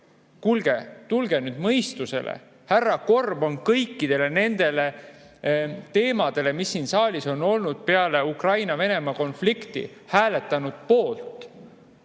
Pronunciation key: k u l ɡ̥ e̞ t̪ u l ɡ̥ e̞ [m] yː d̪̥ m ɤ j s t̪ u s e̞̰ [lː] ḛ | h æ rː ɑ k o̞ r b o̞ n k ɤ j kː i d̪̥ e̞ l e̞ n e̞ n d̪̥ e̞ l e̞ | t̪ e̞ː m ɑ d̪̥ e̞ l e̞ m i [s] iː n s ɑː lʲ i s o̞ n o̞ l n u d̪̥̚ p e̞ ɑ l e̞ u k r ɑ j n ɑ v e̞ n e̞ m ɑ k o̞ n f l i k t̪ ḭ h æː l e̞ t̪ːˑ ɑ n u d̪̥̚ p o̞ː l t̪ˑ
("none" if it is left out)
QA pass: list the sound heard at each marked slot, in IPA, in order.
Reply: n, l, sː

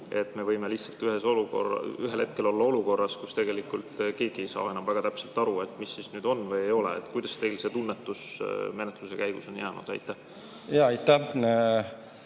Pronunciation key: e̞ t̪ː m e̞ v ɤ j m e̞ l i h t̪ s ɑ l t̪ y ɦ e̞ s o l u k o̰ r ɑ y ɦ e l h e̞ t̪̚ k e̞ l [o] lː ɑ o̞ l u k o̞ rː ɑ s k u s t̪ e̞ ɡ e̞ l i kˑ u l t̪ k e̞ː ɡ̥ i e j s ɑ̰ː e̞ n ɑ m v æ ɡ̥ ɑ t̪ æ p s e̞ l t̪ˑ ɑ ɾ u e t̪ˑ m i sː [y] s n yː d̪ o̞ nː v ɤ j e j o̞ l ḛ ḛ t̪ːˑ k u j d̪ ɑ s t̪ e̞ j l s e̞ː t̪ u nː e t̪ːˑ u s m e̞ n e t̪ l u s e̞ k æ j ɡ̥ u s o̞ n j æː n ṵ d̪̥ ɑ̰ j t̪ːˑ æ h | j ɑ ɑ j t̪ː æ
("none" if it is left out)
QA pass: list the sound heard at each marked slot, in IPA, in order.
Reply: o, i

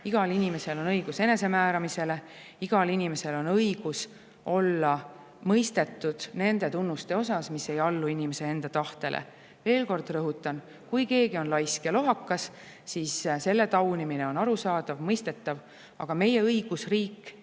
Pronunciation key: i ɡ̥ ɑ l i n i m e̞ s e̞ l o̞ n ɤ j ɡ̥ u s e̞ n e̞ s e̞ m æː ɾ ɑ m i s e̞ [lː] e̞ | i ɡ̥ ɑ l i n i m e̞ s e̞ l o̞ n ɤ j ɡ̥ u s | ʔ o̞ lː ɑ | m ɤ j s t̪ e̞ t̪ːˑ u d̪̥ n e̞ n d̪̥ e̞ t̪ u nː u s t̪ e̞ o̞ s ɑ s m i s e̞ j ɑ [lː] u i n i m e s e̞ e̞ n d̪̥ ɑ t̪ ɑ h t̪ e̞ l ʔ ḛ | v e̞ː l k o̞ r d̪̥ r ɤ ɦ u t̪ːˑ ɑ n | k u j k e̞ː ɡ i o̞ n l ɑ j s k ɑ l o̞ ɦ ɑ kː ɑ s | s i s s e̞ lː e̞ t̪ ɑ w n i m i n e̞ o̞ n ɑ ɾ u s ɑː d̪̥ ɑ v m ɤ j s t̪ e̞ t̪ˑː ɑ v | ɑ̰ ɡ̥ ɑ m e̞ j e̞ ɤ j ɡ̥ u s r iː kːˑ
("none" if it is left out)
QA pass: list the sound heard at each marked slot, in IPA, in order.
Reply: l, lː

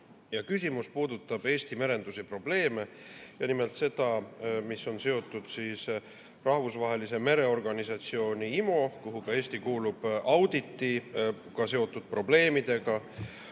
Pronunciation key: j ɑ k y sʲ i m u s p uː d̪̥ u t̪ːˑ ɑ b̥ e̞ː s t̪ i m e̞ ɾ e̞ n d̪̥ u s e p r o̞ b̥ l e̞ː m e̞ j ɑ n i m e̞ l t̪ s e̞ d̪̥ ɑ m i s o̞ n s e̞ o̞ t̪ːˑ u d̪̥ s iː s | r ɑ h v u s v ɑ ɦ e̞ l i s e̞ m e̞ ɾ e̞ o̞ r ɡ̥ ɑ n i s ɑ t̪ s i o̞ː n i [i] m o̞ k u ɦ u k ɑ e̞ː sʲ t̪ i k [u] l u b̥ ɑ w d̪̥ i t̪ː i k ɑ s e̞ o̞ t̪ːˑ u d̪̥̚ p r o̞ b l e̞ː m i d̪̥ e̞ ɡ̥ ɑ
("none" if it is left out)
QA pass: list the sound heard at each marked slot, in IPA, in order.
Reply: i, uː

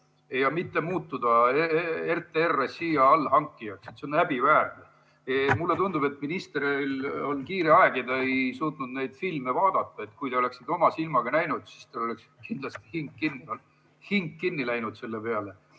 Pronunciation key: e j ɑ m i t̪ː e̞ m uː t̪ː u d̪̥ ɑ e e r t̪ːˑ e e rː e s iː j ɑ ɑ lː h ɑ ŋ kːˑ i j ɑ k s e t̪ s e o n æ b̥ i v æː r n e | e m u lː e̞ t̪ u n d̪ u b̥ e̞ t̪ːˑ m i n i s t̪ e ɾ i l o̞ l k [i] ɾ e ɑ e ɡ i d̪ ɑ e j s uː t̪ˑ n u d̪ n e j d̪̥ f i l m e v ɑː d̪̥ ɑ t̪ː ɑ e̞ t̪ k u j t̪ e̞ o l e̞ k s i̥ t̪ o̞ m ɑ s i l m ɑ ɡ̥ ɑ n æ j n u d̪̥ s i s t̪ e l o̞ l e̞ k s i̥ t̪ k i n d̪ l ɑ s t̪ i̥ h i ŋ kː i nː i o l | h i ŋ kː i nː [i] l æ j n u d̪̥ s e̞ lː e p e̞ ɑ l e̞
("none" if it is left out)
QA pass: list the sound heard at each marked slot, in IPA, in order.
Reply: iː, i

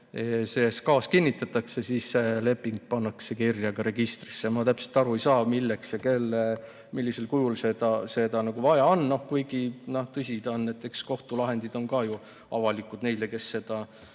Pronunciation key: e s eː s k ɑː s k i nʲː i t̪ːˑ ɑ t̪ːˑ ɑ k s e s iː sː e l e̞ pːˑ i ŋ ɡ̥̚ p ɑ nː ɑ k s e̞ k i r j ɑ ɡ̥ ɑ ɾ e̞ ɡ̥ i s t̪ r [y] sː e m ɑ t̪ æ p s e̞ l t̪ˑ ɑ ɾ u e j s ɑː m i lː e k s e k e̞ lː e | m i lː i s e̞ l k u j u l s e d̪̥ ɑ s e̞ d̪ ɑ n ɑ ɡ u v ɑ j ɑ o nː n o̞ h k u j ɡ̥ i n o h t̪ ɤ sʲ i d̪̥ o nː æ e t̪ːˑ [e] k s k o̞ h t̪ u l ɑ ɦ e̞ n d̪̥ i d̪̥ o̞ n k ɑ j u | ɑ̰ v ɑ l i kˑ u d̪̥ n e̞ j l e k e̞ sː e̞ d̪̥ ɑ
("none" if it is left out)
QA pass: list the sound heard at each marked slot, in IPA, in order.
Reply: i, e

